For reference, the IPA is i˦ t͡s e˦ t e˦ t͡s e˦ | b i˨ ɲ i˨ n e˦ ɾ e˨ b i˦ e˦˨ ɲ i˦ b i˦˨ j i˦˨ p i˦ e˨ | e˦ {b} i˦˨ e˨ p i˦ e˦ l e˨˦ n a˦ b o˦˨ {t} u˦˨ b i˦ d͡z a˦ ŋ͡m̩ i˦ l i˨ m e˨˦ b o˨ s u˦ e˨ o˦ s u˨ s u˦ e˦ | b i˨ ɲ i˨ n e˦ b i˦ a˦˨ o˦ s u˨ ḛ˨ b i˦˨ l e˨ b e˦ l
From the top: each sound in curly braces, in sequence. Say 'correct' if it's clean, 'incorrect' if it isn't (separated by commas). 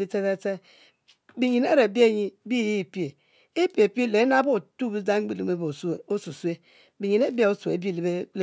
incorrect, correct